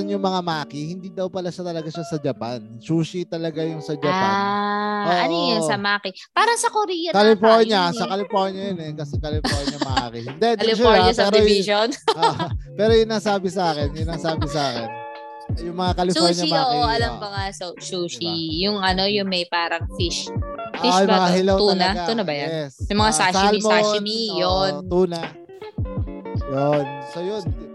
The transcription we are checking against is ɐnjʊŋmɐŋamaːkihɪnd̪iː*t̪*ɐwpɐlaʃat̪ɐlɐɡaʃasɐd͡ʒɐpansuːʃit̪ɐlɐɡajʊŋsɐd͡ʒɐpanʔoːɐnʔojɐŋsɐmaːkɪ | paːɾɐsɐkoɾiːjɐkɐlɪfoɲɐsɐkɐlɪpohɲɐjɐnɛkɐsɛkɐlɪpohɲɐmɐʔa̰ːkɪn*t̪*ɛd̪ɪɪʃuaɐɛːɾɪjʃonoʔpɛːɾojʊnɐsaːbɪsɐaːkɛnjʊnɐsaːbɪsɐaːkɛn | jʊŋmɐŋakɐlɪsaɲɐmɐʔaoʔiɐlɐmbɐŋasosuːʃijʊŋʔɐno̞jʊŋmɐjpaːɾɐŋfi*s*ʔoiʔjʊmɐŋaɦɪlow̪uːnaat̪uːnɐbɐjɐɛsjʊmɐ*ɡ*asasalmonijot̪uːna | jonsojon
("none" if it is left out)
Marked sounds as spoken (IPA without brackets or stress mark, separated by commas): d̪, d̪, ʃ, ŋ